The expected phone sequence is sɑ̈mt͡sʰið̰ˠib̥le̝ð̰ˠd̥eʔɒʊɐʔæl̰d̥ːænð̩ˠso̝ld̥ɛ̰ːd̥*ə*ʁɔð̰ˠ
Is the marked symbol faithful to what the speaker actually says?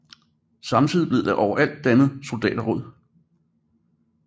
no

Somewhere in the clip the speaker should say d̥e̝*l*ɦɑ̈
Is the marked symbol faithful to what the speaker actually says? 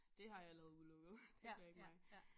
no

